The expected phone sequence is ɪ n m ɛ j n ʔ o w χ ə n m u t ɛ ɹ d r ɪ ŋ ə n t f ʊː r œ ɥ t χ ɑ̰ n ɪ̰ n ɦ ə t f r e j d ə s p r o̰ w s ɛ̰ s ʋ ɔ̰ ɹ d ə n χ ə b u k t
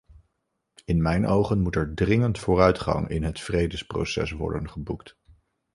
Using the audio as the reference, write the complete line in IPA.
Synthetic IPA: ɪ n m ɛ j n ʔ o w χ ə n m u t ɛ ɹ d r ɪ ŋ ə n t f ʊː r œ ɥ t χ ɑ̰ ŋ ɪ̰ n ɦ ə t f r e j d ə s p r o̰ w s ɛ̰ s ʋ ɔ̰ ɹ d ə n χ ə b u k t